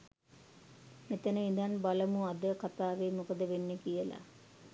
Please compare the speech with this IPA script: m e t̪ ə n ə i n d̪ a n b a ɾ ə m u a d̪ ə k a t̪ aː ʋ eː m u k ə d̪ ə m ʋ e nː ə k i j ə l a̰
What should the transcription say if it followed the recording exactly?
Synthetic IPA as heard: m e t̪ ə n ə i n d̪ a n b a l ə m u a d̪ ə k a t̪ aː ʋ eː m u k ə d̪ ə ʋ e nː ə k i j ə l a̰